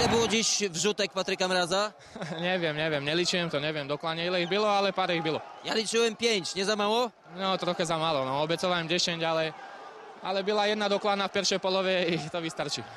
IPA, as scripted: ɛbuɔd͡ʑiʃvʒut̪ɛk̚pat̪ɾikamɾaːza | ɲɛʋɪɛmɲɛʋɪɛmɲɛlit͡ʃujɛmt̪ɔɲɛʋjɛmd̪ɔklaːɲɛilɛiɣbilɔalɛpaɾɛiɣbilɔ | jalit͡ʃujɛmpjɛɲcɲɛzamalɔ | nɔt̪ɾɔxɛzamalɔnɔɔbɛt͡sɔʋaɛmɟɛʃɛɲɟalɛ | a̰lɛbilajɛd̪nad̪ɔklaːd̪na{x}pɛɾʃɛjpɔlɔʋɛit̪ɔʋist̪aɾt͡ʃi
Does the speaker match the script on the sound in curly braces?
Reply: no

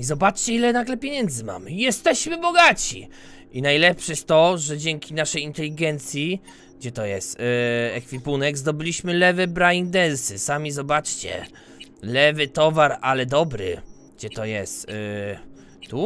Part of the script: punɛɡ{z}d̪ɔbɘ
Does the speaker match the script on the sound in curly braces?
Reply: yes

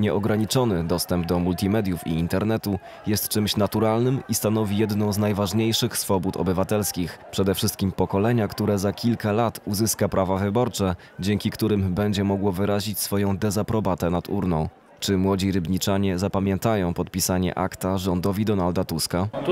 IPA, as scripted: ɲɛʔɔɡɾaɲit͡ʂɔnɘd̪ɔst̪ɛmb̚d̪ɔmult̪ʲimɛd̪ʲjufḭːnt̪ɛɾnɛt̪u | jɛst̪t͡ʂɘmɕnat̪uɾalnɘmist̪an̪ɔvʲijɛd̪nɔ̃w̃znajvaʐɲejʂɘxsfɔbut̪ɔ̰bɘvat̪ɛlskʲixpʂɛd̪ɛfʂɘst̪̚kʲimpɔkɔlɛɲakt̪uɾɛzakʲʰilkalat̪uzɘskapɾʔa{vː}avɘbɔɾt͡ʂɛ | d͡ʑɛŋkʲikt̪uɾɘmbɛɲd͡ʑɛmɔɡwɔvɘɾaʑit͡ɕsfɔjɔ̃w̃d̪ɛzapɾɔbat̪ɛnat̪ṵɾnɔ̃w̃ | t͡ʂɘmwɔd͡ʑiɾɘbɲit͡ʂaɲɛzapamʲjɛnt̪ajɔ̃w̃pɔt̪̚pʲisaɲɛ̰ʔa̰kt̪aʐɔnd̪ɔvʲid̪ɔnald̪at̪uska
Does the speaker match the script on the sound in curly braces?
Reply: no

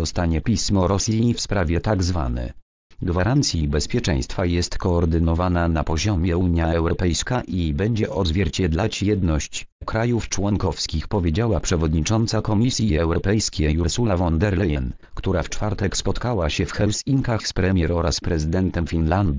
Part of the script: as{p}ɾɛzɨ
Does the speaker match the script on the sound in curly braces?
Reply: yes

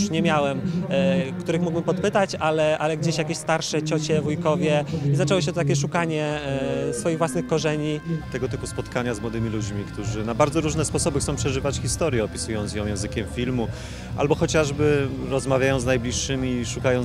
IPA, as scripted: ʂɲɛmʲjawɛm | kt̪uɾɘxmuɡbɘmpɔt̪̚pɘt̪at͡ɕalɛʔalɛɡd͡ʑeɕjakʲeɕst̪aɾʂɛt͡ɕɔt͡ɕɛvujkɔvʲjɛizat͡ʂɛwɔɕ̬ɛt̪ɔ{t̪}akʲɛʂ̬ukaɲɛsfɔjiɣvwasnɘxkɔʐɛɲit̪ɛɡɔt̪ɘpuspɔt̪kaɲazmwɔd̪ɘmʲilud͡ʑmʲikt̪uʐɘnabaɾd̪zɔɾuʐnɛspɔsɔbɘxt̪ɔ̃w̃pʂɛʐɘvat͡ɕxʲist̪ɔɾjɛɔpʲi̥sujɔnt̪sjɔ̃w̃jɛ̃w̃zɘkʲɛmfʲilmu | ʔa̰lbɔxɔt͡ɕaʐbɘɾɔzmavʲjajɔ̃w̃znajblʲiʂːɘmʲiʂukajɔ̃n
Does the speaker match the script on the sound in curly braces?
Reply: yes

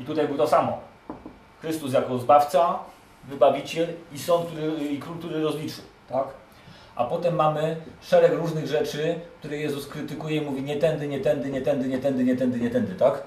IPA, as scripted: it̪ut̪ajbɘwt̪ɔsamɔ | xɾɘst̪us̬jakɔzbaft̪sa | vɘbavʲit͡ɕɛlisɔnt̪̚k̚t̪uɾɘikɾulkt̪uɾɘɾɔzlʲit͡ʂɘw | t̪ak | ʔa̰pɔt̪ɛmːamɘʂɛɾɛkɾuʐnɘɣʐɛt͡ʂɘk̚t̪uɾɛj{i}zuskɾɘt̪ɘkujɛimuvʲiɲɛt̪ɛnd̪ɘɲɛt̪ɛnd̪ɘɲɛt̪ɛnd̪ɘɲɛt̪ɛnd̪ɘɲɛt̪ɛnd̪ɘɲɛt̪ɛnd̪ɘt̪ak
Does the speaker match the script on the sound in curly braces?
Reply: no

